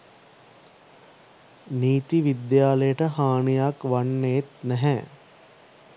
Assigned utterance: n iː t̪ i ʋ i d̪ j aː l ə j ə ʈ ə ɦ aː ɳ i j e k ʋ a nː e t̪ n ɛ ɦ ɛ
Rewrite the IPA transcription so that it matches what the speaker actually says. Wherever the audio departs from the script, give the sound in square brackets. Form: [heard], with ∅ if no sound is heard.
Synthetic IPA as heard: n iː t̪ i ʋ i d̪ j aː l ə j ə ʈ ə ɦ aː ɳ i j [a] k ʋ a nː e t̪ n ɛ ɦ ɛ